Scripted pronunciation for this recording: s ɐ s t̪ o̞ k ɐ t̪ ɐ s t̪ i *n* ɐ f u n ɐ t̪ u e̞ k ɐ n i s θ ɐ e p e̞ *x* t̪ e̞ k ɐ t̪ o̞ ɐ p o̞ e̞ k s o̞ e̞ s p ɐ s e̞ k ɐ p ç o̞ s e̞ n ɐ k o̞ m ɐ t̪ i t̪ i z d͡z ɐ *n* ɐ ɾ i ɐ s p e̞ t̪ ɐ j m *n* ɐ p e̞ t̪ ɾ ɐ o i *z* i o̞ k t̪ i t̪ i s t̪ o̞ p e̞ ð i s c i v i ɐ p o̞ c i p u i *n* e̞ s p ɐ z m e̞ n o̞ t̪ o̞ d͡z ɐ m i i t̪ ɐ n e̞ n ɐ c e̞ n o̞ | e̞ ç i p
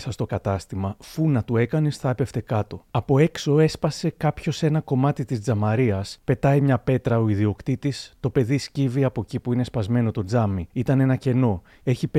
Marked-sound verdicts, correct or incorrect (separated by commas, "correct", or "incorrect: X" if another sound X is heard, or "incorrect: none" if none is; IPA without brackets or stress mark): incorrect: m, incorrect: f, incorrect: m, incorrect: ɲ, incorrect: ð, correct